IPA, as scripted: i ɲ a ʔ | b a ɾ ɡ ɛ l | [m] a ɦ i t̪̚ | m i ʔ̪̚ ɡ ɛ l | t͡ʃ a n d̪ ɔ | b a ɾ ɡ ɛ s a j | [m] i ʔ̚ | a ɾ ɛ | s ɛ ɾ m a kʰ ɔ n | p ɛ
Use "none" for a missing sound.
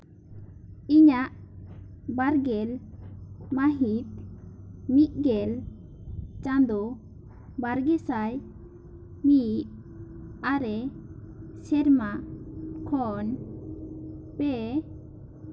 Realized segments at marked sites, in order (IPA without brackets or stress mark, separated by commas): m, m